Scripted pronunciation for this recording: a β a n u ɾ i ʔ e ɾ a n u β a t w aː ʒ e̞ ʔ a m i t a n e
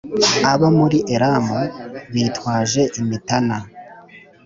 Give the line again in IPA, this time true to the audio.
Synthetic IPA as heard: a β a m u ɾ i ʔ e ɾ a m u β i t w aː ʒ e̞ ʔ i m i t a n a